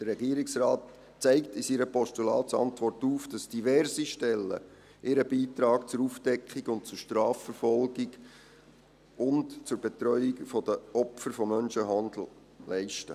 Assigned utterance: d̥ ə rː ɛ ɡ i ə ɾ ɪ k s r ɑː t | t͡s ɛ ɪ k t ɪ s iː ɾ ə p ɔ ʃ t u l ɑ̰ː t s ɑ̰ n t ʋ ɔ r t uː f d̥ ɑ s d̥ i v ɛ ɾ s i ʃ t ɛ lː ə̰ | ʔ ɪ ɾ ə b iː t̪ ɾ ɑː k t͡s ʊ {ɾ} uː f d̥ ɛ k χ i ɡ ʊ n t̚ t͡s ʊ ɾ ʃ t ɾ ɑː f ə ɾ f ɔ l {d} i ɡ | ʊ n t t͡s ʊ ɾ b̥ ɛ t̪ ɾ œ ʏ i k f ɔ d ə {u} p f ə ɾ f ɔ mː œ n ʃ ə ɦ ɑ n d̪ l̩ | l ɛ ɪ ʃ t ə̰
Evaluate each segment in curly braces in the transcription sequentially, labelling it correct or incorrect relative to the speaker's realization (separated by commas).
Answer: correct, incorrect, incorrect